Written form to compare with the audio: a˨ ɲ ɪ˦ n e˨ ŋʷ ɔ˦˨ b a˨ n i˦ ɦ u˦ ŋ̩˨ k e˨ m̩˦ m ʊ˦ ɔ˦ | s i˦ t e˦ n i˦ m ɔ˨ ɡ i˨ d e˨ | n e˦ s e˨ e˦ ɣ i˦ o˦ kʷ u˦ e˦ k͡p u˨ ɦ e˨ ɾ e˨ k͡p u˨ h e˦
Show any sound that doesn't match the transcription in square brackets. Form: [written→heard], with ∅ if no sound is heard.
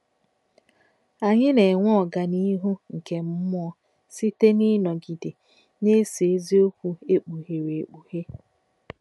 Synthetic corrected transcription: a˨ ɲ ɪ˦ n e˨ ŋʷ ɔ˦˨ [b→ɡ] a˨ n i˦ ɦ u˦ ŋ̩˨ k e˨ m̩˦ m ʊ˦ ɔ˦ | s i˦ t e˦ n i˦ [m→n] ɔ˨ ɡ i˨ d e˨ | n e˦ s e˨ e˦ [ɣ→z] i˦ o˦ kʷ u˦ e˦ k͡p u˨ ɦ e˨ ɾ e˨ k͡p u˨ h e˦

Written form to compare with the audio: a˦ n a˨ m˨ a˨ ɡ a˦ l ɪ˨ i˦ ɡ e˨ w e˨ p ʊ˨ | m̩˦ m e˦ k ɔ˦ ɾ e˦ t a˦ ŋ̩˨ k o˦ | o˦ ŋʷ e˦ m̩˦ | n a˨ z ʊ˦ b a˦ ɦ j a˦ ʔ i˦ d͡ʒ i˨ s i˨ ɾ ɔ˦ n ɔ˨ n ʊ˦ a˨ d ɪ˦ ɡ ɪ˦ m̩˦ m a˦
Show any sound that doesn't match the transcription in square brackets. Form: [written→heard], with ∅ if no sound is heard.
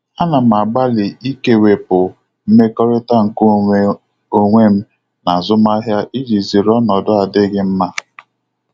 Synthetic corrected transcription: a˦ n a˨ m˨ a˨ [ɡ→ɡ͡b] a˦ l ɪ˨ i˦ [ɡ→k] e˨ w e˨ p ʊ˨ | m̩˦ m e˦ k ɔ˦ ɾ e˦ t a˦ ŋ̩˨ k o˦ | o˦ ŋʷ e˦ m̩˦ | n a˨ z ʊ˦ [b→m] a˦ ɦ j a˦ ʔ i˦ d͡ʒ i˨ [s→z] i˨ ɾ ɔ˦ n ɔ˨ [n→d] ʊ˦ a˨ d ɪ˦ ɡ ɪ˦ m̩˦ m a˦

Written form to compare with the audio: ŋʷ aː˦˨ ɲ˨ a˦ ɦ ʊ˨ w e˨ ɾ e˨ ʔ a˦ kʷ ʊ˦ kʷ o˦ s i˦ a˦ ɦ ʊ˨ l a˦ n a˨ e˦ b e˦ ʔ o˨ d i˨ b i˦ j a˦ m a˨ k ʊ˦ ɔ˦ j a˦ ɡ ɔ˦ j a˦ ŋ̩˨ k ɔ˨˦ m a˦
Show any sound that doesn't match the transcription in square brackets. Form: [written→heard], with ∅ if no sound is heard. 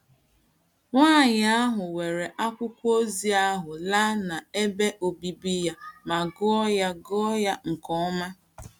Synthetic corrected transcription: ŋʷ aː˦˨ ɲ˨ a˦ ɦ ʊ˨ w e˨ ɾ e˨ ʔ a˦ kʷ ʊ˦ kʷ o˦ [s→z] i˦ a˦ ɦ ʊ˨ l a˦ n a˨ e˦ b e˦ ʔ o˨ [d→b] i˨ b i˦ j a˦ m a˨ [k→ɡ] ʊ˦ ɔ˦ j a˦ ɡ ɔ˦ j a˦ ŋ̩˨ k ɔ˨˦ m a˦

